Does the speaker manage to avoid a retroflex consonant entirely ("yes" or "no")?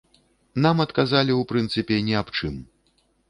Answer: no